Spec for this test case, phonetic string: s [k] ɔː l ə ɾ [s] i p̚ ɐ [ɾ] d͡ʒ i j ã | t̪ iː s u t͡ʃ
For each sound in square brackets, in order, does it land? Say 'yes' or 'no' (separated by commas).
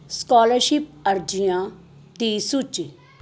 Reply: yes, no, yes